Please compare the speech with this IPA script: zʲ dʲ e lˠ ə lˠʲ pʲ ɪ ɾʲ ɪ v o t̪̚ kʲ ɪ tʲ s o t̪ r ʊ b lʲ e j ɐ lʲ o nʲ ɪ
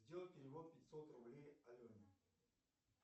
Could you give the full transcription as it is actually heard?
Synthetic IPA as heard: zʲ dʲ e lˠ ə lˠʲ pʲ ɪ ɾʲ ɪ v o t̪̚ pʲ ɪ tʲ s o t̪ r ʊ b lʲ e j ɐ lʲ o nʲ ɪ